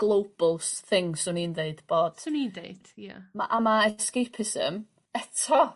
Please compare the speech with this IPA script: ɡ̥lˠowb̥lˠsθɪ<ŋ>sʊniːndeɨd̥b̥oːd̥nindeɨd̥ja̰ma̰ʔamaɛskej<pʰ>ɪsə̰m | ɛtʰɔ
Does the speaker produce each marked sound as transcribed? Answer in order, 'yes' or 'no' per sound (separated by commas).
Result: yes, yes